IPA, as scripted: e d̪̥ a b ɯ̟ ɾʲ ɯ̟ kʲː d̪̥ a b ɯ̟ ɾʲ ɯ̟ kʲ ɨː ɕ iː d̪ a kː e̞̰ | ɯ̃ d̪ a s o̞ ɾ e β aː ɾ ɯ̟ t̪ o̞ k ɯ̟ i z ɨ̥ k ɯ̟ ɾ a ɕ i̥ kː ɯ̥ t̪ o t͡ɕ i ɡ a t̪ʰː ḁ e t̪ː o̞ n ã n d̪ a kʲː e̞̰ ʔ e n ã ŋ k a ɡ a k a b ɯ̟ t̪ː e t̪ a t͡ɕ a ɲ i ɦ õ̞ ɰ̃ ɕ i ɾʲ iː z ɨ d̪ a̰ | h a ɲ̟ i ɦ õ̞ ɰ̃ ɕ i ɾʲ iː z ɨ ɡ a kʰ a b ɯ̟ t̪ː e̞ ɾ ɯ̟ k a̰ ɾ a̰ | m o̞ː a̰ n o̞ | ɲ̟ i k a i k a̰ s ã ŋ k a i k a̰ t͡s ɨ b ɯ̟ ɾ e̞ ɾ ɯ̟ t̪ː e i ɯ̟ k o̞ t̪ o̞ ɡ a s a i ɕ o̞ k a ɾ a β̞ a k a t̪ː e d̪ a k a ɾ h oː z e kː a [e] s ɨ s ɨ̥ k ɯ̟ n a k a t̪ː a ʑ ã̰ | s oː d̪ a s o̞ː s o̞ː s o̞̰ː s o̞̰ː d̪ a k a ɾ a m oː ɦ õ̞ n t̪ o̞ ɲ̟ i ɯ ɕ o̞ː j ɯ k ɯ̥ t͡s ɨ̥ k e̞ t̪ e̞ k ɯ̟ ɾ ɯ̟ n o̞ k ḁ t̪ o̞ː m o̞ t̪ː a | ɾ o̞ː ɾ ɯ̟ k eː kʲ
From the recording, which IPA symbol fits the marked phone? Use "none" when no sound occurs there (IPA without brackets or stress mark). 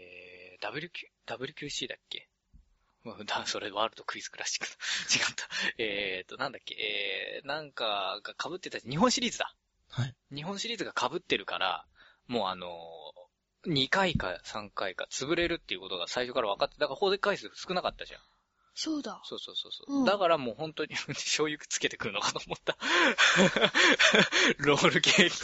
i